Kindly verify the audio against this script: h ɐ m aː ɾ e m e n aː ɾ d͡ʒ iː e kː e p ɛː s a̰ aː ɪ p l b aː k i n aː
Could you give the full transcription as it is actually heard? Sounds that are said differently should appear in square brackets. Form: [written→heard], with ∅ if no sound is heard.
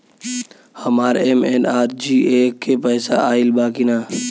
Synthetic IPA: h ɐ m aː ɾ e m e n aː ɾ d͡ʒ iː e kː e p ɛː s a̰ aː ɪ [p→∅] l b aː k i n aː